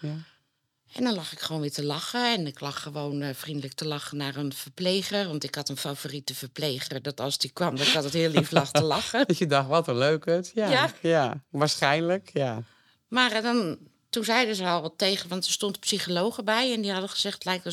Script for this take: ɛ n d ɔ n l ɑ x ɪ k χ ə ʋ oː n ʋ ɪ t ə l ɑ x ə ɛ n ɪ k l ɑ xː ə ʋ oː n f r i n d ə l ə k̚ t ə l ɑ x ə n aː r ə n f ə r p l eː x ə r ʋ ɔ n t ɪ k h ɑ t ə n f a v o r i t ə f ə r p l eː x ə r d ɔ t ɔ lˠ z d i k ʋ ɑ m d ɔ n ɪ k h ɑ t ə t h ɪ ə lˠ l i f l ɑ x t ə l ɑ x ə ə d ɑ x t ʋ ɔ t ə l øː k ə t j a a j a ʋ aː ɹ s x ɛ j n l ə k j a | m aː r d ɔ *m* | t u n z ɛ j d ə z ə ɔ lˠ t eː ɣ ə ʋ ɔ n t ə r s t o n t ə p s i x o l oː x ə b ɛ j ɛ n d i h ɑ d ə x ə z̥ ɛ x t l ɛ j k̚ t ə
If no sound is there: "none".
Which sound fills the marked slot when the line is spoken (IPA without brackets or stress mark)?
n